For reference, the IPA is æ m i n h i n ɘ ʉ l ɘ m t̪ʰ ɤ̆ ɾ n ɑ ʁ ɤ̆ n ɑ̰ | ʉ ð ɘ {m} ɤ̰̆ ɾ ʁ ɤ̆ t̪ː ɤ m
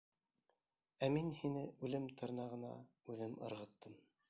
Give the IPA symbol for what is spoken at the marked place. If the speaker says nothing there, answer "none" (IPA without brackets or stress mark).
m